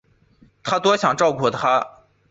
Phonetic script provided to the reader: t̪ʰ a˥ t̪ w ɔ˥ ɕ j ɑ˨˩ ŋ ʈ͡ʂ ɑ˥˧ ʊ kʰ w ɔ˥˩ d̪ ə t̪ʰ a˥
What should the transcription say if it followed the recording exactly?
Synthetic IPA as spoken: t̪ʰ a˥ t̪ w ɔ˥ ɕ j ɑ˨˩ ŋ ʈ͡ʂ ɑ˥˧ ʊ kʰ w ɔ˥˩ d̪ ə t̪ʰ a˥